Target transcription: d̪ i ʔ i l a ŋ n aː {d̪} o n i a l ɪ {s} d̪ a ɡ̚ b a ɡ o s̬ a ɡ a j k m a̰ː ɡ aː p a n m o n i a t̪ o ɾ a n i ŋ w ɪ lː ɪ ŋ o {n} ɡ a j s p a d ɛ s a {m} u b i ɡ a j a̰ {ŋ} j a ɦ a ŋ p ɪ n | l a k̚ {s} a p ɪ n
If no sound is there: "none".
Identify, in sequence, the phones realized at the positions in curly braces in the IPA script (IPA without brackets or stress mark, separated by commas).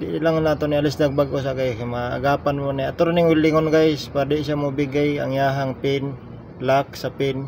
t̪, s, n, m, ŋ, s